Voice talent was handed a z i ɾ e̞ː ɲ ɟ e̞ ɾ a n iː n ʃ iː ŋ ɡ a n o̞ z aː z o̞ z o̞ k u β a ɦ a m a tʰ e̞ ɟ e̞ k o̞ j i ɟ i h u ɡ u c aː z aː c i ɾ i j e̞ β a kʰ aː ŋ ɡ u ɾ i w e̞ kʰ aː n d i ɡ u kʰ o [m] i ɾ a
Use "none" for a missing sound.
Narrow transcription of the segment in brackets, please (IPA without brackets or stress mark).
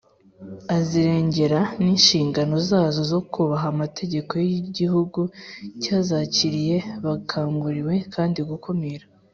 m